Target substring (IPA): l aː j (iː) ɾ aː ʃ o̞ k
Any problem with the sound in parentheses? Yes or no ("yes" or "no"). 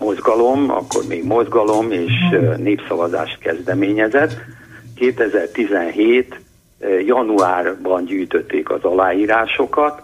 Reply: no